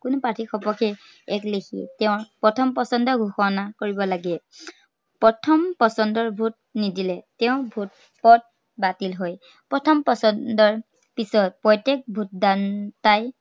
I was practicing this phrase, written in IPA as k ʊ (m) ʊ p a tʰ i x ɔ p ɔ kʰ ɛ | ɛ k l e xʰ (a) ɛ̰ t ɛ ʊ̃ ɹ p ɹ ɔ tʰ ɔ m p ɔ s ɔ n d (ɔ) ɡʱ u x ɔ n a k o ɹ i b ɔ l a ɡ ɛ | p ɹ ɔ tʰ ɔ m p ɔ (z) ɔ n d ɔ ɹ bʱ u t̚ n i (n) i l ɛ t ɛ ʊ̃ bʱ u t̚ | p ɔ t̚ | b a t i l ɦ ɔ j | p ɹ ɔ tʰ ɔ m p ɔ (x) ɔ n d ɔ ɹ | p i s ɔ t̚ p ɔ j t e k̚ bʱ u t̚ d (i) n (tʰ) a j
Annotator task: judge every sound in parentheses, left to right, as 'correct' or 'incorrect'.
incorrect: n, incorrect: i, correct, incorrect: s, incorrect: d, incorrect: s, incorrect: a, incorrect: t

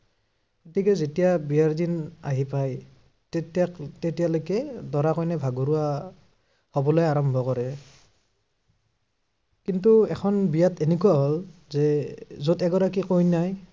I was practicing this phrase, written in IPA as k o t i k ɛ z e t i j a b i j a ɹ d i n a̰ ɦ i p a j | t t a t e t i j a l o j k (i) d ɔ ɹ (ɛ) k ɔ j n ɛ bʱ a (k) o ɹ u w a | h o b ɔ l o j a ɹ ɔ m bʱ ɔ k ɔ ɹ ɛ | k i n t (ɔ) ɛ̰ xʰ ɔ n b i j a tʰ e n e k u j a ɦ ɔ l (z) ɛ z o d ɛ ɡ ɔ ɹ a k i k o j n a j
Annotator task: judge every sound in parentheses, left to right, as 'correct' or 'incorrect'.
incorrect: ɛ, incorrect: a, incorrect: ɡ, incorrect: u, correct

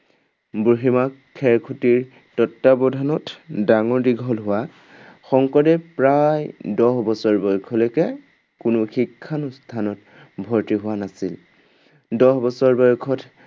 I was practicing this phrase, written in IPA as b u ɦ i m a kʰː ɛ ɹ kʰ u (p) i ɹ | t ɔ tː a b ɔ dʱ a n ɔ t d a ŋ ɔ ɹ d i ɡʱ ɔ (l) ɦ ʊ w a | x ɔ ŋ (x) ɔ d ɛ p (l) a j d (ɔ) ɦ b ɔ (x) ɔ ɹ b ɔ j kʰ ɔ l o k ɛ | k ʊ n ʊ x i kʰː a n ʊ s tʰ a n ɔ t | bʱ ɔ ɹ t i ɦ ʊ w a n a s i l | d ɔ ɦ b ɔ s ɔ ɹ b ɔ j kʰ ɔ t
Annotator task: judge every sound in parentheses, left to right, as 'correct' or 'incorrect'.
incorrect: t, correct, incorrect: k, incorrect: ɹ, correct, incorrect: s

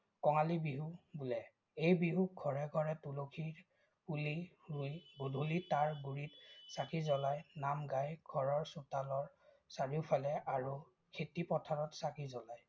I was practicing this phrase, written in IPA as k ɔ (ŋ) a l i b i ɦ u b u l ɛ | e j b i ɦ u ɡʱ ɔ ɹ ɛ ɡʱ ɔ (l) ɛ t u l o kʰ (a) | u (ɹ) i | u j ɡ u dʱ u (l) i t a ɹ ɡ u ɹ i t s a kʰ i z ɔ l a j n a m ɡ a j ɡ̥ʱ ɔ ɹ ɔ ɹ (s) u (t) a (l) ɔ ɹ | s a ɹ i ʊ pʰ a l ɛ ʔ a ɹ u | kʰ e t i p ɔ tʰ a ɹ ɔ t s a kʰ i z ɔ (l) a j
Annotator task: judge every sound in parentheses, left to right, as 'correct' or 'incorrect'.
correct, incorrect: ɹ, incorrect: i, incorrect: l, correct, correct, correct, correct, correct

